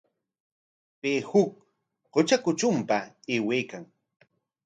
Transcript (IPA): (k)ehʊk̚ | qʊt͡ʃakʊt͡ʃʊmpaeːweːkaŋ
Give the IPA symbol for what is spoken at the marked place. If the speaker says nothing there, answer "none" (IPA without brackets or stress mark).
p